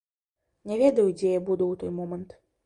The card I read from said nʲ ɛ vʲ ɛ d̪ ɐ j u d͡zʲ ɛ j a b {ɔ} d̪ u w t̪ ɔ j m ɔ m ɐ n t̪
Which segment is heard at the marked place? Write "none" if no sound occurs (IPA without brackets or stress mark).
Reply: u